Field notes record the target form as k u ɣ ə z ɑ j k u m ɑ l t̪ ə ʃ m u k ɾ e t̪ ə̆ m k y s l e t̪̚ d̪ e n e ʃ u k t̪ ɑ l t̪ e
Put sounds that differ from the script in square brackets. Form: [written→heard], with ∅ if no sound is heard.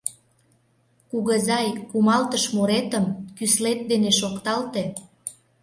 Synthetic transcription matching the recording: k u ɣ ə z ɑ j k u m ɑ l t̪ ə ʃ m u [k→∅] ɾ e t̪ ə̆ m k y s l e t̪̚ d̪ e n e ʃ [u→o] k t̪ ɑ l t̪ e